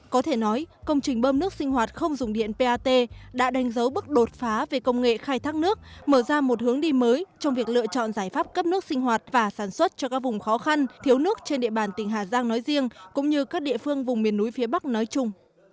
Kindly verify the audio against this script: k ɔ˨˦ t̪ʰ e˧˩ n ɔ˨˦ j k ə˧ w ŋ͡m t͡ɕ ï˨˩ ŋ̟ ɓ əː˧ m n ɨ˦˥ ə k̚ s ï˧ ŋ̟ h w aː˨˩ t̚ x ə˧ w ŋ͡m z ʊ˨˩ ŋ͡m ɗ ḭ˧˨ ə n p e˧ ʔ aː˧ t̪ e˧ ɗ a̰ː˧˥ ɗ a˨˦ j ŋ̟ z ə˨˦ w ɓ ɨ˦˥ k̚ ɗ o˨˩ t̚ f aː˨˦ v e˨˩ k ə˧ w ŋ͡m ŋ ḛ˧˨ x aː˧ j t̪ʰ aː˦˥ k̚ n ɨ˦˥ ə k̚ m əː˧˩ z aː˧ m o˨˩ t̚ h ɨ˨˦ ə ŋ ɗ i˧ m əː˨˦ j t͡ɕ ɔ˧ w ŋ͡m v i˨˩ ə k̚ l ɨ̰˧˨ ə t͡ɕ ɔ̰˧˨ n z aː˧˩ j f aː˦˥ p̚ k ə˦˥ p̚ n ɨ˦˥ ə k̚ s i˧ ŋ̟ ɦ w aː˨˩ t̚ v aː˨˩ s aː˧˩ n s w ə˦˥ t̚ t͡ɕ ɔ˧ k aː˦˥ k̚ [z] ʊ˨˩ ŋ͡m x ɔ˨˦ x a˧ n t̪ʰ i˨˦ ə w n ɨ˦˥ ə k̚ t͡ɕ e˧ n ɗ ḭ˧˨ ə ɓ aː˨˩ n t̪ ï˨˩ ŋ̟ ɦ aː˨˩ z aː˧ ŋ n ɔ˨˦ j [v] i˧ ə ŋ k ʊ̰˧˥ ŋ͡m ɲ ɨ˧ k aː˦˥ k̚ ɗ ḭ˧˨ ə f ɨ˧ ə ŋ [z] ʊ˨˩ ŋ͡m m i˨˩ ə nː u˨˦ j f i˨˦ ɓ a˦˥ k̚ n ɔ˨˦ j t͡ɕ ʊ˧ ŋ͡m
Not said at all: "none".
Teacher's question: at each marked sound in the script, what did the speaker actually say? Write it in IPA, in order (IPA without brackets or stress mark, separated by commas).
v, z, v